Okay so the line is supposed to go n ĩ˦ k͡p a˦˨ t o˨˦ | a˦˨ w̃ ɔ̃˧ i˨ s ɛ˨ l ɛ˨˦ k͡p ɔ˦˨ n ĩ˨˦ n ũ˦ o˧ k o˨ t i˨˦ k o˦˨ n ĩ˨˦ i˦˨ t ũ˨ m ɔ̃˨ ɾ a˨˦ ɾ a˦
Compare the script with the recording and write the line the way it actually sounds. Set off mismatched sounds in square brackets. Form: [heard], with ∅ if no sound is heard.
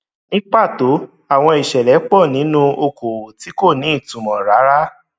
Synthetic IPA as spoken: n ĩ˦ k͡p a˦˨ t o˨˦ | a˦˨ w̃ ɔ̃˧ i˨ [ʃ] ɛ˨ l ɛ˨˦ k͡p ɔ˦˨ n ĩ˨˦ n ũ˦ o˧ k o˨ t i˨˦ k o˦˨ n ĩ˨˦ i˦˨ t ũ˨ m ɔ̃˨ ɾ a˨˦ ɾ a˦